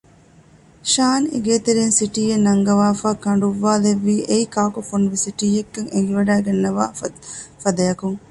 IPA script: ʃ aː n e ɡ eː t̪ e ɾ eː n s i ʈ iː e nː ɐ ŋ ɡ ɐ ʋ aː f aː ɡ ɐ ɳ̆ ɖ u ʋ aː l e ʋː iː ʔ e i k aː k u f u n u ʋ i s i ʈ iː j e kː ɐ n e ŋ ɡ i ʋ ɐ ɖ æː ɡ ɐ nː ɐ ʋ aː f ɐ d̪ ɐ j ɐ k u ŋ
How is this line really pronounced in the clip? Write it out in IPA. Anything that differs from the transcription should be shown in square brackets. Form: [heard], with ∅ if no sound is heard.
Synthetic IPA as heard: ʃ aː n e ɡ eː t̪ e ɾ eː n s i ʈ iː e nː ɐ ŋ ɡ ɐ ʋ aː f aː [k] ɐ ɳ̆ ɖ u [ʋː] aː l e ʋː iː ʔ e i k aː k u f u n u ʋ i s i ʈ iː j e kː ɐ [ŋ] e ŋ ɡ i ʋ ɐ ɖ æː ɡ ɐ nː ɐ ʋ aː f ɐ d̪ ɐ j ɐ k u ŋ